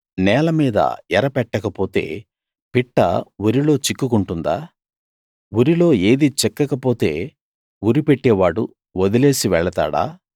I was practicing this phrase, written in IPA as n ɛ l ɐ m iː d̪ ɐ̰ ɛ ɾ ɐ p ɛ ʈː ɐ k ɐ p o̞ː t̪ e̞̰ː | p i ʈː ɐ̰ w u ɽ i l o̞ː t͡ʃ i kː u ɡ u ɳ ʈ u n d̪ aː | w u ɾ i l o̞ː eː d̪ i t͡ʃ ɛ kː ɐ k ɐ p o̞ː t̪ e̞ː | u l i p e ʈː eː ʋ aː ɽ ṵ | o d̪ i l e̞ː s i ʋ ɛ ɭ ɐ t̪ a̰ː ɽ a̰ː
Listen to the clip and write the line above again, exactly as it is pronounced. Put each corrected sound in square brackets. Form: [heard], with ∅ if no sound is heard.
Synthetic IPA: n [ɛː] l ɐ m iː d̪ ɐ̰ ɛ ɾ ɐ p ɛ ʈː ɐ k ɐ p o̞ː t̪ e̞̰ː | p i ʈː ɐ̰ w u [ɾ] i l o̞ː t͡ʃ i kː u [k] u ɳ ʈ u n d̪ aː | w u ɾ i l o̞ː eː d̪ i t͡ʃ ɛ kː ɐ k ɐ p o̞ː t̪ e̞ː | u [ɾ] i p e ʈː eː ʋ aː ɽ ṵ | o d̪ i l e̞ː s i ʋ ɛ ɭ ɐ t̪ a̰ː ɽ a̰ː